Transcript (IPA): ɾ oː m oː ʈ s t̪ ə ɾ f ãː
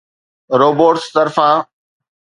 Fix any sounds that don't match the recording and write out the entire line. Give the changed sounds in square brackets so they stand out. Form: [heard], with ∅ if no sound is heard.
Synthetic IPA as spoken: ɾ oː [b] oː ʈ s t̪ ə ɾ f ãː